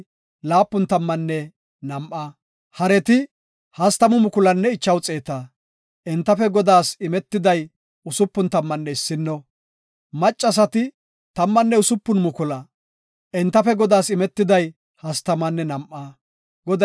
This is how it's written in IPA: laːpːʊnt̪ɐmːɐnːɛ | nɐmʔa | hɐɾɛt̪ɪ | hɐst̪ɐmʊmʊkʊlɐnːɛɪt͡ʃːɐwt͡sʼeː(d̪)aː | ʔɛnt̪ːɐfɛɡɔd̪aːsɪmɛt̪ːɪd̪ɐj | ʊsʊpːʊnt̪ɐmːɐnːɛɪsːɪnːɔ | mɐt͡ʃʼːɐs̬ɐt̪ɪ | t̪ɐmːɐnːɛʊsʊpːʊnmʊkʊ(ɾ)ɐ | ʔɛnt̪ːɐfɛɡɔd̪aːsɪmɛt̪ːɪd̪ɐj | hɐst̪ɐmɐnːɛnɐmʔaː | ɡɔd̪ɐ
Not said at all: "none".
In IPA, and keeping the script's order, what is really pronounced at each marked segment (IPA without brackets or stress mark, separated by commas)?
t̪, l